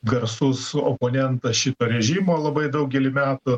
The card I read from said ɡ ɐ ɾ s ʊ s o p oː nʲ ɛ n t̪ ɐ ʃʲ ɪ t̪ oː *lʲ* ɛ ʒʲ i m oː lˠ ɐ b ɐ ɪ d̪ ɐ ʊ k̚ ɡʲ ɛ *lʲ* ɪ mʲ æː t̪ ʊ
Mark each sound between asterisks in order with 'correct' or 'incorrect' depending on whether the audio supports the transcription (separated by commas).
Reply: incorrect, correct